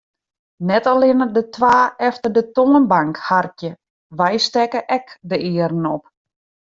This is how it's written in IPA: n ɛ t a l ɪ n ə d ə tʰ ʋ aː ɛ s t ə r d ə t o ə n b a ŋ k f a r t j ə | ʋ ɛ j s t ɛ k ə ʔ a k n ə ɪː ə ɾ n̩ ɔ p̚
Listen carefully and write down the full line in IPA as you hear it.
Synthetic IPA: n ɛ t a l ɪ n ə d ə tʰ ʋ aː ɛ f t ə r d ə t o ə n b a ŋ k h a r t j ə | ʋ ɛ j s t ɛ k ə ʔ ɛ k d ə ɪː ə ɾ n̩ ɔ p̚